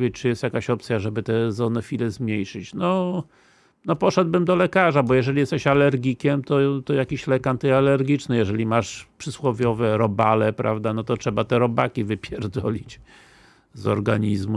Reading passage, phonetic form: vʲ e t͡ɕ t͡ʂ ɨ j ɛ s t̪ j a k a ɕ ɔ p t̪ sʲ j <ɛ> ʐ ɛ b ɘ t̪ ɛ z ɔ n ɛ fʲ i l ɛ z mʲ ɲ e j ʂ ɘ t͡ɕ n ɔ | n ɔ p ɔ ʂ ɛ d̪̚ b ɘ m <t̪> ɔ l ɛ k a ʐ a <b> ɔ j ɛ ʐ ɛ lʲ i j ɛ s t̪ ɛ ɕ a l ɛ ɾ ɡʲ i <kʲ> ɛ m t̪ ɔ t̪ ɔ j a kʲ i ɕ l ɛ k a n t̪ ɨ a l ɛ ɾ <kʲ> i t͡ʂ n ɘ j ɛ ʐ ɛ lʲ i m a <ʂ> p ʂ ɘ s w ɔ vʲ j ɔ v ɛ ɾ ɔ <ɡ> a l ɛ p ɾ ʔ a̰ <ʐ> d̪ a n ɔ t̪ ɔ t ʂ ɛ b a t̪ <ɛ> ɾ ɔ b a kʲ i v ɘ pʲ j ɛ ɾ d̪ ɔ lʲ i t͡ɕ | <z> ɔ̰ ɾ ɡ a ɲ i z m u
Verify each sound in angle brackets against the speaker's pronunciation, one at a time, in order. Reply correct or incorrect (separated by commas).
incorrect, incorrect, correct, correct, incorrect, correct, incorrect, incorrect, correct, correct